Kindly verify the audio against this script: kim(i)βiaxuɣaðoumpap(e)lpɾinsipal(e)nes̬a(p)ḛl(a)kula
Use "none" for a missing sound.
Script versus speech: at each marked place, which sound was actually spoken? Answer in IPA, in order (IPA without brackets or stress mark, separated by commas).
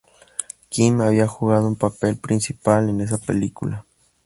a, e, e, p, i